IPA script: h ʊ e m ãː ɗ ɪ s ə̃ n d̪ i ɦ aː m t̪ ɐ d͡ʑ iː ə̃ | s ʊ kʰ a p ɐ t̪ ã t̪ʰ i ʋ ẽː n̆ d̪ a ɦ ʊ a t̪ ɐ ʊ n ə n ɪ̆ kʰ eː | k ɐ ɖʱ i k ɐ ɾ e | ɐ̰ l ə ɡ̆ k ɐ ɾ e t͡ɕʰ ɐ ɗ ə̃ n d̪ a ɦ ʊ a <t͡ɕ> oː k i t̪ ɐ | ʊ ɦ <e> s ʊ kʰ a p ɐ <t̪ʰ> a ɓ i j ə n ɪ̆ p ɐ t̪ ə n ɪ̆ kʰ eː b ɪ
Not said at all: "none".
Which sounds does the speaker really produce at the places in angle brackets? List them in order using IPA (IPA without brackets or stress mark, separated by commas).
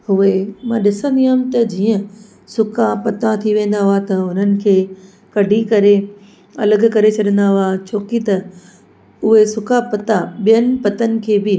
t͡ɕʰ, e, t̪